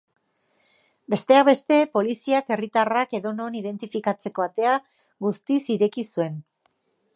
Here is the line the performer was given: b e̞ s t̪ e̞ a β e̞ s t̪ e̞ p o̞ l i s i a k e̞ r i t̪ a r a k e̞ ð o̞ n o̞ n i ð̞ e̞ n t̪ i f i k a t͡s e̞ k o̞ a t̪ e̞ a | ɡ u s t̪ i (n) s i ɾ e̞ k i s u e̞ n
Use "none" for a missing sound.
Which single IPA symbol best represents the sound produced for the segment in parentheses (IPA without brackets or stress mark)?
none